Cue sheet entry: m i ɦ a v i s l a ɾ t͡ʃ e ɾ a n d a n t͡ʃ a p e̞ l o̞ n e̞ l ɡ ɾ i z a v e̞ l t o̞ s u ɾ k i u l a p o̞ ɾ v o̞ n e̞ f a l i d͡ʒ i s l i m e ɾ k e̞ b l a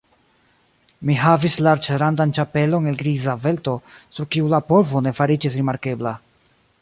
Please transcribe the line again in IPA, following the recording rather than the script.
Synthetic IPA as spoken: m i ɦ a v i s l a ɾ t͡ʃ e ɾ a n d a n t͡ʃ a p e̞ l o̞ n e̞ l ɡ ɾ i z a v e̞ l t o̞ s u ɾ k i u l a p o̞ l v o̞ n e̞ f a ɾ i d͡ʒ i s ɾ i m a ɾ k e̞ b l a